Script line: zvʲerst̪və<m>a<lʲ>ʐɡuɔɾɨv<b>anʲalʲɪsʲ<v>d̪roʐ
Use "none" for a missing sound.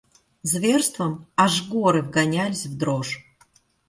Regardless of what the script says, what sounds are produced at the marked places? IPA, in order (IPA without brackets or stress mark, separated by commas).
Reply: m, none, ɡ, v